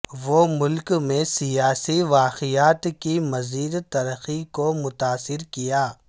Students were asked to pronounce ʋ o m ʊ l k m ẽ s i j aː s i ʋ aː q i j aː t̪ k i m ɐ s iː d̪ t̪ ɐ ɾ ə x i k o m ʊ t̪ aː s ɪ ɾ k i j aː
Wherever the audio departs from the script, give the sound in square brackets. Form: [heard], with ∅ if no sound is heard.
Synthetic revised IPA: ʋ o m ʊ l k m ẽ s i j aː s i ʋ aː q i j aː t̪ k i m ɐ [z] iː d̪ t̪ ɐ ɾ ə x i k o m ʊ t̪ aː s ɪ ɾ k i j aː